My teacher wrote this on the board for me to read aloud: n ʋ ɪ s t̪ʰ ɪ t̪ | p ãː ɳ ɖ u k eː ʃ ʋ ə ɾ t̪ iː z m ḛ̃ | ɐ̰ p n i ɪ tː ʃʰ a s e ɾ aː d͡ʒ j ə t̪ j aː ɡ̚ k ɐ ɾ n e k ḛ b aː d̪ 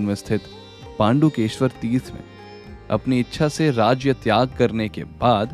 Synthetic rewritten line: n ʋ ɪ s t̪ʰ ɪ t̪ | p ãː ɳ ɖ u k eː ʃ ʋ ə ɾ t̪ iː s m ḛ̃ | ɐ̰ p n i ɪ tː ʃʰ a s e ɾ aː d͡ʒ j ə t̪ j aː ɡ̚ k ɐ ɾ n e k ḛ b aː d̪